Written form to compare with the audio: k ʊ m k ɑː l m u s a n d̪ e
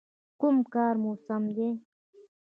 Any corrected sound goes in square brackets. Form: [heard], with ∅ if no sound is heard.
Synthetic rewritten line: k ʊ m k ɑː [ɾ] m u s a [m] d̪ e